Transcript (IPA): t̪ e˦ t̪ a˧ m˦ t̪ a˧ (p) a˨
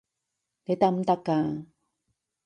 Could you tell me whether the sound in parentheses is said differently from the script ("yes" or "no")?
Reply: yes